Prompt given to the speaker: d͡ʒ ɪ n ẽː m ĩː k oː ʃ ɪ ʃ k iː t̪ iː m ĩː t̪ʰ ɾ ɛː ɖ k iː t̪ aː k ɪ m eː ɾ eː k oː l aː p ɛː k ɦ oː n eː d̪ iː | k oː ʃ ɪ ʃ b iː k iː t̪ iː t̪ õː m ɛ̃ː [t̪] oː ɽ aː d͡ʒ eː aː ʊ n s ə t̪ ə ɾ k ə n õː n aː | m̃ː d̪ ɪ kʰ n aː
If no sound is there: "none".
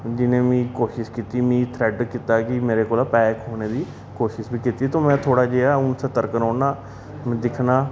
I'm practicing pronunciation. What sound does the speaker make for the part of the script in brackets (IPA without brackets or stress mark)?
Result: t̪ʰ